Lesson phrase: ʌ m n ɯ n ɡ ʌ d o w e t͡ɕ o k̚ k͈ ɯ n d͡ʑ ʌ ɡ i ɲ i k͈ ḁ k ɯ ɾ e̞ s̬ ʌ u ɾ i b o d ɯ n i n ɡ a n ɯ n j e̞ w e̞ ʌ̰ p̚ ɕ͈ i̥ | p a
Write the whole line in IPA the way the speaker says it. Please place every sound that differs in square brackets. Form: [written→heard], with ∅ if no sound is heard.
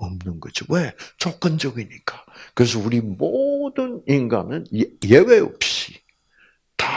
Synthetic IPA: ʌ m n ɯ n ɡ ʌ [d→d͡ʑ] o w e t͡ɕ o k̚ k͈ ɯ n d͡ʑ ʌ ɡ i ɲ i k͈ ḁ k ɯ ɾ e̞ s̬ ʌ u ɾ i [b→m] o d ɯ n i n ɡ a n ɯ n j e̞ w e̞ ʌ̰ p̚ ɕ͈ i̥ | [p→t] a

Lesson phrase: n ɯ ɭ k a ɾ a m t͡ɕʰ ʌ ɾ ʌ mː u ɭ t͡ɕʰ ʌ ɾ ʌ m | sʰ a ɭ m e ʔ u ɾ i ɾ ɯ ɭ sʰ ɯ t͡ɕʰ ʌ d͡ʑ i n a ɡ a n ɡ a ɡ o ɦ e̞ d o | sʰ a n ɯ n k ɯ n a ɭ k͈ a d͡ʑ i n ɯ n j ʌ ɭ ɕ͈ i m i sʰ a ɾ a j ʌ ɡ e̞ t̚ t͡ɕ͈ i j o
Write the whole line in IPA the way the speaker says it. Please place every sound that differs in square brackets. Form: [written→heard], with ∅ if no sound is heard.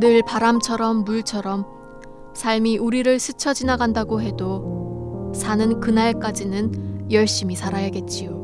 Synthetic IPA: n ɯ ɭ [k→p] a ɾ a m t͡ɕʰ ʌ ɾ ʌ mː u ɭ t͡ɕʰ ʌ ɾ ʌ m | sʰ a ɭ m [e→i] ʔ u ɾ i ɾ ɯ ɭ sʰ ɯ t͡ɕʰ ʌ d͡ʑ i n a ɡ a n [ɡ→d] a ɡ o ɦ e̞ d o | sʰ a n ɯ n k ɯ n a ɭ k͈ a d͡ʑ i n ɯ n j ʌ ɭ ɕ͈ i m i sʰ a ɾ a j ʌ ɡ e̞ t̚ t͡ɕ͈ i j o

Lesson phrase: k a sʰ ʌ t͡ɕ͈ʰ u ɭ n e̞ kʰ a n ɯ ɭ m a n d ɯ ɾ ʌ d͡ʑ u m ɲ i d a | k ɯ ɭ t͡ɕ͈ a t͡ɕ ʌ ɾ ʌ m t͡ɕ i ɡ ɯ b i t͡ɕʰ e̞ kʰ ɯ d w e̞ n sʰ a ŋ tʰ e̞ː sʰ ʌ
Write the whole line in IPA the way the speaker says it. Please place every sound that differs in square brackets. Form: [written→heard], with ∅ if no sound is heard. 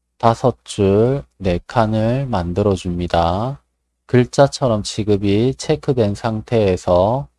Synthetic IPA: [k→t] a sʰ ʌ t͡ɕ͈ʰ u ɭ n e̞ kʰ a n ɯ ɭ m a n d ɯ ɾ ʌ d͡ʑ u m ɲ i d a | k ɯ ɭ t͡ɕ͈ a [t͡ɕ→t͡ɕʰ] ʌ ɾ ʌ m t͡ɕ i ɡ ɯ b i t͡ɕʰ e̞ kʰ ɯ d w e̞ n sʰ a ŋ tʰ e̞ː sʰ ʌ

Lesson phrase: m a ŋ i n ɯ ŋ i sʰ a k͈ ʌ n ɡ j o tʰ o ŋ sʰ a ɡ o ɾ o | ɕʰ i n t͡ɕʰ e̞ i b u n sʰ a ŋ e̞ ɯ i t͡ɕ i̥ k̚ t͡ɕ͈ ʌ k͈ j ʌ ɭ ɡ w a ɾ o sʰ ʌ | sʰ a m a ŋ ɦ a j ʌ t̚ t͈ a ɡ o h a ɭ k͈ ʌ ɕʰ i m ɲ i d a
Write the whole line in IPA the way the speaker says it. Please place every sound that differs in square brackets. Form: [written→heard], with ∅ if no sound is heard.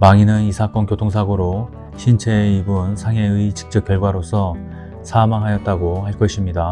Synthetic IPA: m a ŋ i n ɯ [ŋ→n] i sʰ a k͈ ʌ n [ɡ→k] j o tʰ o ŋ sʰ a ɡ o ɾ o | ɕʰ i n t͡ɕʰ e̞ i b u n sʰ a ŋ e̞ ɯ i t͡ɕ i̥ k̚ t͡ɕ͈ ʌ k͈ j ʌ ɭ ɡ w a ɾ o sʰ ʌ | sʰ a m a ŋ ɦ a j ʌ t̚ t͈ a ɡ o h a ɭ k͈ ʌ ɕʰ i m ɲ i d a

